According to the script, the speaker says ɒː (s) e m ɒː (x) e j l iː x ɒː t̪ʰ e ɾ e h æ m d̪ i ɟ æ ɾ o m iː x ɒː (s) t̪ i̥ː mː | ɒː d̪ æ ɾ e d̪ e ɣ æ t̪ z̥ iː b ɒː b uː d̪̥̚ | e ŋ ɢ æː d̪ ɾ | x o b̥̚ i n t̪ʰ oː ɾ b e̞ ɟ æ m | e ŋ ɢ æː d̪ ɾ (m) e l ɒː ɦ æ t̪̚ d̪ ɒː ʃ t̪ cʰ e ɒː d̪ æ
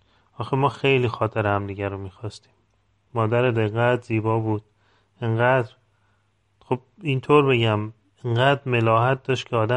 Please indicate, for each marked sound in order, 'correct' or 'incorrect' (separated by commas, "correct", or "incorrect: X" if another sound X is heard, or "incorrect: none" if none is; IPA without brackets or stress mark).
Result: incorrect: x, correct, correct, correct